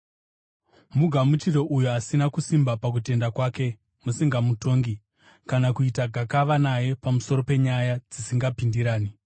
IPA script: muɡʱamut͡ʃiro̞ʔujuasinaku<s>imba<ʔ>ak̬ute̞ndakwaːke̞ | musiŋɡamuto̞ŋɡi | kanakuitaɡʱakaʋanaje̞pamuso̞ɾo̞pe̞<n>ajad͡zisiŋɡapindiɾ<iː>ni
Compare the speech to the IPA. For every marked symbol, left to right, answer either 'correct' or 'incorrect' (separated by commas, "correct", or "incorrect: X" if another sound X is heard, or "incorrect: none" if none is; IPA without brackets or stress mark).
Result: correct, incorrect: p, incorrect: ɲ, incorrect: aː